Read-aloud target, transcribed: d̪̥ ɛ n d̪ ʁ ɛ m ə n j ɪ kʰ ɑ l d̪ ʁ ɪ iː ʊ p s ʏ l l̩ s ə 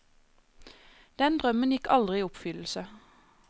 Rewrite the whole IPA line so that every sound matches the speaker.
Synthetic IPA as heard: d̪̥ ɛ n d̪ ʁ œ m ə n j ɪ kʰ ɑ l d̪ ʁ ɪ iː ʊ p f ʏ l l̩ s ə